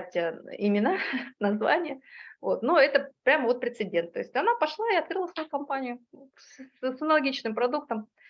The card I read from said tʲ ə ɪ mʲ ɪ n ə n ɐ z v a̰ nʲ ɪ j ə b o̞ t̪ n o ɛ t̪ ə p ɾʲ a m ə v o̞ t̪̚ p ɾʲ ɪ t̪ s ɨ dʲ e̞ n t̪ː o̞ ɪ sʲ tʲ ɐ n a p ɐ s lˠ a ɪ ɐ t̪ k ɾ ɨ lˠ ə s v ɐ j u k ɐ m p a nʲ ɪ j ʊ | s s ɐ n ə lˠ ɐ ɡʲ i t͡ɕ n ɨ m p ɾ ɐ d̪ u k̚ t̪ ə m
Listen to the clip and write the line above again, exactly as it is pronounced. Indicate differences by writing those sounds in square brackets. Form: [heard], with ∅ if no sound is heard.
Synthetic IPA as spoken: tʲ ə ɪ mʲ ɪ n [a] n ɐ z v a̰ nʲ ɪ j ə [v] o̞ t̪ n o ɛ t̪ ə p ɾʲ a m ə v o̞ t̪̚ p ɾʲ ɪ t̪ s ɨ dʲ e̞ n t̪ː o̞ ɪ sʲ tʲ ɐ n a p ɐ [ʂ] lˠ a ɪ ɐ t̪ k ɾ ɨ lˠ ə s v ɐ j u k ɐ m p a nʲ ɪ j ʊ | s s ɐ n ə lˠ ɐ ɡʲ i t͡ɕ n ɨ m p ɾ ɐ d̪ u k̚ t̪ ə m